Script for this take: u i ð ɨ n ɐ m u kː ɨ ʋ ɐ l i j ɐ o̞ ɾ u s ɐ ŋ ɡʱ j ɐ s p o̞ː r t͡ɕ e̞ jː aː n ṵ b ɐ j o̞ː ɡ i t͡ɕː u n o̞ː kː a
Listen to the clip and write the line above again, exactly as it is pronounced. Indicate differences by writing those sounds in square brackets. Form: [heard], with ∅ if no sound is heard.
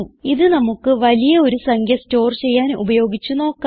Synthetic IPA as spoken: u i ð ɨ n ɐ m u kː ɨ ʋ ɐ l i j ɐ o̞ ɾ u s ɐ ŋ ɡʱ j ɐ s [t] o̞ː r t͡ɕ e̞ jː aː n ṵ b ɐ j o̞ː ɡ i t͡ɕː u n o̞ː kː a